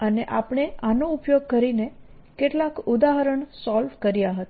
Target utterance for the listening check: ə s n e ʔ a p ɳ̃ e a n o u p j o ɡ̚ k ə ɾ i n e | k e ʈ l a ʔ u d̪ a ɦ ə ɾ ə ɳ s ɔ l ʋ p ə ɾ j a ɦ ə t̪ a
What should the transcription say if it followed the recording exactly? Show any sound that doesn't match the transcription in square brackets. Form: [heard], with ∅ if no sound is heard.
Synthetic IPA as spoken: ə [∅] n e ʔ a p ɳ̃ e a n o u p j o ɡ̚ k ə ɾ i n e | k e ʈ l a [k] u d̪ a ɦ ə ɾ ə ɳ s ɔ l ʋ [k] ə ɾ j a ɦ ə t̪ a